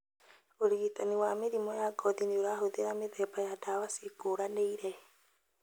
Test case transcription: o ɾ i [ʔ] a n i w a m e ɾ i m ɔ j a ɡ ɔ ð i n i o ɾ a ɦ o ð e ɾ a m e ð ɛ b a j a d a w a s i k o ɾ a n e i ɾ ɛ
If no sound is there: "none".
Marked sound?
t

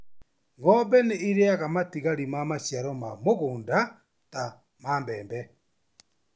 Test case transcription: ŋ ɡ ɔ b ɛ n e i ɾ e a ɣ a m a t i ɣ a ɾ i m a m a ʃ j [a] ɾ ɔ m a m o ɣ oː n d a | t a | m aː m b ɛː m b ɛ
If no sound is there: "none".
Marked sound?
a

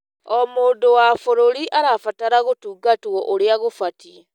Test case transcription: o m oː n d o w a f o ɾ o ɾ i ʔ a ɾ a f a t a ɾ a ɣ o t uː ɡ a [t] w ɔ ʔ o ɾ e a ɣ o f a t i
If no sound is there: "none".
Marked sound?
t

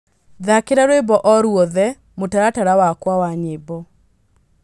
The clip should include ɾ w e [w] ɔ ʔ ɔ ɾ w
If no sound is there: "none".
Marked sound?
b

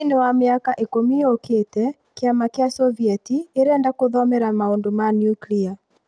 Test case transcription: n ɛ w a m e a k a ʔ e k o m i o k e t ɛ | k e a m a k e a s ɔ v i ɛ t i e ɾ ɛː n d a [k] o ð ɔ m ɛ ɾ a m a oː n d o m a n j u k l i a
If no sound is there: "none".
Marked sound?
k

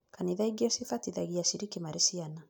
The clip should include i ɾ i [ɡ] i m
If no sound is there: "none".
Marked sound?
k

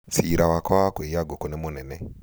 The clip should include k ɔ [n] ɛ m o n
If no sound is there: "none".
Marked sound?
n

